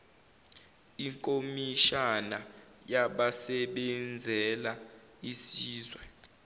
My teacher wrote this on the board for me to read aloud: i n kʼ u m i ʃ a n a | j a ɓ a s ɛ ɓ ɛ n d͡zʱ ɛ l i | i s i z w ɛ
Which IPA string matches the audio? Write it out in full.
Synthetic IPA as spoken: i ŋ kʼ o m i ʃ a n a | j a ɓ a s ɛ ɓ ɛ n d͡zʱ ɛ l a | i s iː z w ɛ